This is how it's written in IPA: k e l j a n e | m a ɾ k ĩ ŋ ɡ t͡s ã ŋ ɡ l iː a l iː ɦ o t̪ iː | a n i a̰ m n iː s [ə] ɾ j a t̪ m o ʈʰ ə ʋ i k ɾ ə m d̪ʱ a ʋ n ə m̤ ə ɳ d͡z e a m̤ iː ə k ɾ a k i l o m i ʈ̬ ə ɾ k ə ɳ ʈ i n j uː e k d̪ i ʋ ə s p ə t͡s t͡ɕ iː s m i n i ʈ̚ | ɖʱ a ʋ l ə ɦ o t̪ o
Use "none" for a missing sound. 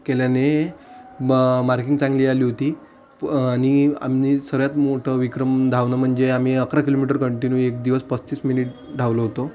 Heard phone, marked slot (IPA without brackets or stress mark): ə